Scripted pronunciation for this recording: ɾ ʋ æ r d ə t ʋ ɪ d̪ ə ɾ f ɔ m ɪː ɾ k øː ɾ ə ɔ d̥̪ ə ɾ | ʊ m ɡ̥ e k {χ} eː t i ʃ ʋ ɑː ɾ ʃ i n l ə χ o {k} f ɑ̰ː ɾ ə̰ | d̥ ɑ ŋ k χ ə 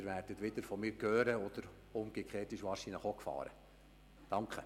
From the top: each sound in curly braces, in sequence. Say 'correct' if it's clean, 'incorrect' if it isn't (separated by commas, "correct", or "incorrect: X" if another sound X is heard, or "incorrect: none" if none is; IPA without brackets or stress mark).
correct, correct